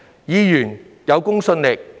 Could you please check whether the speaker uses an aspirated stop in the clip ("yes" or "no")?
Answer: no